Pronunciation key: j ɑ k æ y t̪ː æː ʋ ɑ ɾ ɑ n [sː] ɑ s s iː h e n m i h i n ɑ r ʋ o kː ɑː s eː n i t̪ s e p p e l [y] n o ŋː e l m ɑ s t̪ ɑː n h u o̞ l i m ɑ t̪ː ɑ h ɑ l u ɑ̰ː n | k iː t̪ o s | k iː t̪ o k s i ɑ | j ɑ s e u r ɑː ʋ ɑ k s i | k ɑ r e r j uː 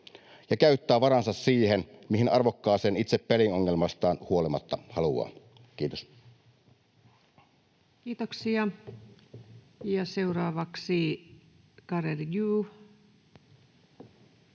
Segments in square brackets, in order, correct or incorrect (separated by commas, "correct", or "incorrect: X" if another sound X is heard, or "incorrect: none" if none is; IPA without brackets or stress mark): incorrect: s, incorrect: i